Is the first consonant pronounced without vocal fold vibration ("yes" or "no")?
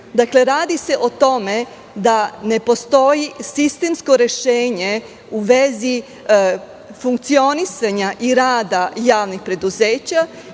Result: no